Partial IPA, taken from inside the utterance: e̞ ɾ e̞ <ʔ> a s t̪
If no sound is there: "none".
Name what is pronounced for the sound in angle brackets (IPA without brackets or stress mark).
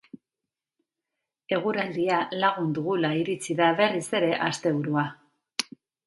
ʔ